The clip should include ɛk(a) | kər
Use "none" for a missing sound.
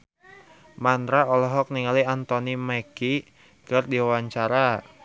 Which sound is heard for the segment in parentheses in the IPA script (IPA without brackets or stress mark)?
i